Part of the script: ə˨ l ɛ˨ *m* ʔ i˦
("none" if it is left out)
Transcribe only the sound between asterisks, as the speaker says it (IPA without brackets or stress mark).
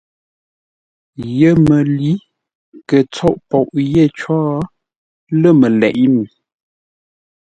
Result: none